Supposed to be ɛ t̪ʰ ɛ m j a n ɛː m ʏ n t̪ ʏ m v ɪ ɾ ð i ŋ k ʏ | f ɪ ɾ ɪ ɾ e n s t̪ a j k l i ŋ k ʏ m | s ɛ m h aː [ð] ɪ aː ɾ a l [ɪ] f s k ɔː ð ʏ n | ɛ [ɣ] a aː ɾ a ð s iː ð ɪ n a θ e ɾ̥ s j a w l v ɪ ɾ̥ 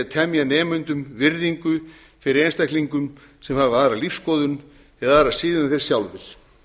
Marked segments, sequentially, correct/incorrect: incorrect, incorrect, incorrect

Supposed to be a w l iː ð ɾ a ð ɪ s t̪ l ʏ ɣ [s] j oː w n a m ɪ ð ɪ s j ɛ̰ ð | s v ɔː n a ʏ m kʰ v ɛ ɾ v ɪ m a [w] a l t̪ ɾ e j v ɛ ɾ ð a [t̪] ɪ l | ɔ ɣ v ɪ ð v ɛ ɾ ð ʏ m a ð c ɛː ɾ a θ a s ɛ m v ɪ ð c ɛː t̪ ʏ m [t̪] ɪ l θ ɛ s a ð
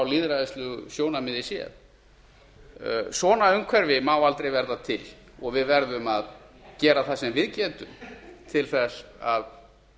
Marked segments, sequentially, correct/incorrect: correct, correct, incorrect, incorrect

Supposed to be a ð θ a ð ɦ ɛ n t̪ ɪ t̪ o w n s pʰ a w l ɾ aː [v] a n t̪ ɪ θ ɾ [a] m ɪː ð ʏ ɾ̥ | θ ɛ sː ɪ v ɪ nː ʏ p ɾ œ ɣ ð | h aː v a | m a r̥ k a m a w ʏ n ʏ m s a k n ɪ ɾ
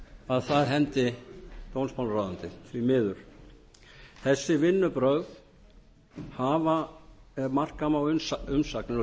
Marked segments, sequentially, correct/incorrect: incorrect, incorrect

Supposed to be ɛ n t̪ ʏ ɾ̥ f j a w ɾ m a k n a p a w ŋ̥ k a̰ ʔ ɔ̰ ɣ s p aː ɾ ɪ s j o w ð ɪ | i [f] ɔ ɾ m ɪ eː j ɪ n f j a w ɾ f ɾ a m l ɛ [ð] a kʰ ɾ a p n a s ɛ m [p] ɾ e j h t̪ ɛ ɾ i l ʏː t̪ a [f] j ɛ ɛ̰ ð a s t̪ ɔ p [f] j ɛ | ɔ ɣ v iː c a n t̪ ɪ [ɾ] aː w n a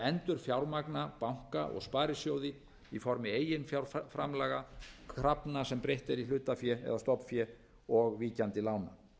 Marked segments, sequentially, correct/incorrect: correct, incorrect, correct, correct, correct, incorrect

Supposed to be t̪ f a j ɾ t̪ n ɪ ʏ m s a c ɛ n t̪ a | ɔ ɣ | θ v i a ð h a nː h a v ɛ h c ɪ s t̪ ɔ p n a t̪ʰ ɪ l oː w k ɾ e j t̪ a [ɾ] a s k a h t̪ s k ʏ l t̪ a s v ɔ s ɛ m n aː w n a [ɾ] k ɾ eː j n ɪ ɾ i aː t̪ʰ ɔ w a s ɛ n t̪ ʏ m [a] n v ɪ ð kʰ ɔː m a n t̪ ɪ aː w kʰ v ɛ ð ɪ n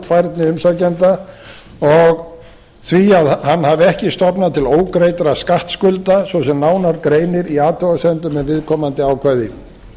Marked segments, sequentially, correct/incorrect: correct, correct, incorrect

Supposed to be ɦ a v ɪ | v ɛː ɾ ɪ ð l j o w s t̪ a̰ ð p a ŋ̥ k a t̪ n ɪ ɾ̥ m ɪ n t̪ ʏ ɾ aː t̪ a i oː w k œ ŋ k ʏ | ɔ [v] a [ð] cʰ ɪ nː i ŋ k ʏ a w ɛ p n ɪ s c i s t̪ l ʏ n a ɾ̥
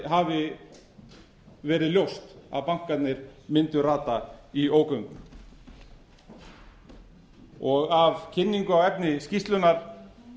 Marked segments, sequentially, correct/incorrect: incorrect, incorrect

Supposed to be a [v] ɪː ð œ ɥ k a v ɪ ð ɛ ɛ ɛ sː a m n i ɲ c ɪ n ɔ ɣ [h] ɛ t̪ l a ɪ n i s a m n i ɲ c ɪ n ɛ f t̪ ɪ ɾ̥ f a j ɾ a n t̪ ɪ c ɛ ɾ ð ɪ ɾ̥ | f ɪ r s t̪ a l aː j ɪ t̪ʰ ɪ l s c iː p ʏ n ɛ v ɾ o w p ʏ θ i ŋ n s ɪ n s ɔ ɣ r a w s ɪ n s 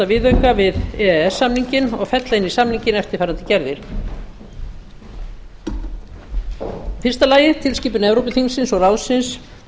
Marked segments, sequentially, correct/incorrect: correct, incorrect

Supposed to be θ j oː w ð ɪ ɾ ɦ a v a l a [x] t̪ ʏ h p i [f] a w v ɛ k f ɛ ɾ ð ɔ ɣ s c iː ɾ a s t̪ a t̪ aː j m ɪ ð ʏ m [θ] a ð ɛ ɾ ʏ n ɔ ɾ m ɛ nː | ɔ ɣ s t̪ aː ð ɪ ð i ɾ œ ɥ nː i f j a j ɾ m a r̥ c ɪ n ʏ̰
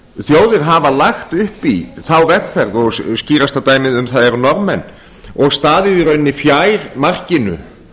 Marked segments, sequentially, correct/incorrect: correct, incorrect, correct

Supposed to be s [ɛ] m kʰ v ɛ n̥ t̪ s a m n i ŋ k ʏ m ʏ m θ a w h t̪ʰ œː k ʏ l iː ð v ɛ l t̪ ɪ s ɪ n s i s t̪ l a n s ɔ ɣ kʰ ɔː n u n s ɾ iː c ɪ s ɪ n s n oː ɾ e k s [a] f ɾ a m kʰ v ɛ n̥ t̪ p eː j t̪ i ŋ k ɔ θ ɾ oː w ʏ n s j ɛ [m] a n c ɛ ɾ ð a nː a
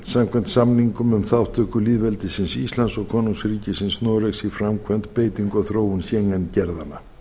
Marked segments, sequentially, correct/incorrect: incorrect, incorrect, incorrect

